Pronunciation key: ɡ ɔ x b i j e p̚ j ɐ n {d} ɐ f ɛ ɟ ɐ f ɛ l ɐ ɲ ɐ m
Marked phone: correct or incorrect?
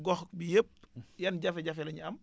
incorrect